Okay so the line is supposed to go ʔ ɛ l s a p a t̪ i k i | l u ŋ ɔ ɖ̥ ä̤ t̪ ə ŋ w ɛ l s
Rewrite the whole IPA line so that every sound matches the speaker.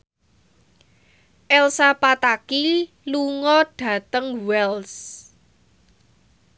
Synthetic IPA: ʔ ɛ l s a p a t̪ a k i | l u ŋ ɔ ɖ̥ ä̤ t̪ ə ŋ w ɛ l s